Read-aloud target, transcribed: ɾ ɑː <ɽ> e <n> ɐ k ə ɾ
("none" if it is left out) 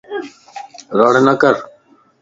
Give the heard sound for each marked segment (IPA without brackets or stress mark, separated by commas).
ɽ, n